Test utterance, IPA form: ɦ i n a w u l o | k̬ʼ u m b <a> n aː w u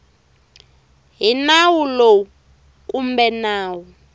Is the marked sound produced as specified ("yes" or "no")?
no